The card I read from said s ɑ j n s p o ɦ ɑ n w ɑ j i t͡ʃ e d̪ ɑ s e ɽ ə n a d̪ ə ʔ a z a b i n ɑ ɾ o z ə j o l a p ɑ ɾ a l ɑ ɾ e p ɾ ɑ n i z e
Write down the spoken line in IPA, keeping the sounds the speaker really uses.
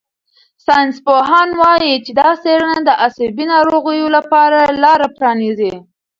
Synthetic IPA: s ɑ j n s p o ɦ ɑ n w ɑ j i t͡ʃ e d̪ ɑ s e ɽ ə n a d̪ ə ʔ a s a b i n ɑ ɾ o ɣ ə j o l a p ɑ ɾ a l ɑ ɾ a p ɾ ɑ n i z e

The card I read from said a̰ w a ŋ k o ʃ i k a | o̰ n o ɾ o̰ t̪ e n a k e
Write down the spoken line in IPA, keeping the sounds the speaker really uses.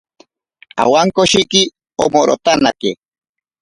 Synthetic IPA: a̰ w a ŋ k o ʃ i k i | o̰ m o ɾ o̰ t̪ a n a k e

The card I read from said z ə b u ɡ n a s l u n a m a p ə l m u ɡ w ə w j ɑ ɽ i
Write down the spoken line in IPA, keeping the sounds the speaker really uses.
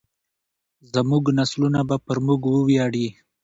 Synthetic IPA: z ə m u ɡ n a s l u n a b a p ə ɾ m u ɡ w ə w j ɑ ɽ i

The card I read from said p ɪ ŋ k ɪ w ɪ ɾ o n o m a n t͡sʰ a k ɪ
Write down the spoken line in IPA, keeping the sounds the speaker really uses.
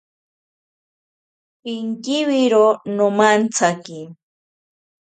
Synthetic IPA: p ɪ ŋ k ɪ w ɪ ɾ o n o m a n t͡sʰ a k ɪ

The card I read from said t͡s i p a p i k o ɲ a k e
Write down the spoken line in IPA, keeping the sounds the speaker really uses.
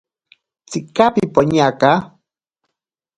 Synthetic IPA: t͡s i k a p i p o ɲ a k a

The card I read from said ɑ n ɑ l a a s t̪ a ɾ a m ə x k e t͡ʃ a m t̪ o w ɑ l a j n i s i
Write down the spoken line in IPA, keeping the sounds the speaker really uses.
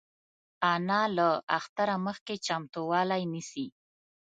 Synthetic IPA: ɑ n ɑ l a a x t̪ a ɾ a m ə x k e t͡ʃ a m t̪ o w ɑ l a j n i s i

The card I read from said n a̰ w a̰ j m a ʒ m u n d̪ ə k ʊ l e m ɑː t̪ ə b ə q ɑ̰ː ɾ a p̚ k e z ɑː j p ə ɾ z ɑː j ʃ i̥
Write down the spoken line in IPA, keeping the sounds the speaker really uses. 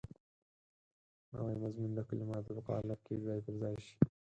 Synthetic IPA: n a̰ w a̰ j m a z m u n d̪ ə k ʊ l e m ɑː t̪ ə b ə q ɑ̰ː l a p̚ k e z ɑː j p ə ɾ z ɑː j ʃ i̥

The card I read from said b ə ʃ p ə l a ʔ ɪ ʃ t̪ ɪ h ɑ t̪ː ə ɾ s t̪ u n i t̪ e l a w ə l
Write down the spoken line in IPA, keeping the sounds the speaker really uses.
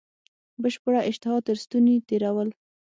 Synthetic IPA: b ə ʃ p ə ɽ a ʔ ɪ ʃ t̪ ɪ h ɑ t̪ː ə ɾ s t̪ u n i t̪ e ɾ a w ə l

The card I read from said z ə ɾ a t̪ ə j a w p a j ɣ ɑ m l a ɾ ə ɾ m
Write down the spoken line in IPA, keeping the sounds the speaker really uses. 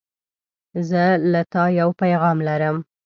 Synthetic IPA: z ə l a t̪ ɑ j a w p a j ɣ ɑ m l a ɾ ə m

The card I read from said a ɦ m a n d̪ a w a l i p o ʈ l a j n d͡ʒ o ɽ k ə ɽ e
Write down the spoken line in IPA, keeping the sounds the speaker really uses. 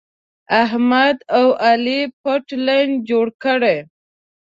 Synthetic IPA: a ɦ m a d̪ a w a l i p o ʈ l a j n d͡ʒ o ɽ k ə ɽ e

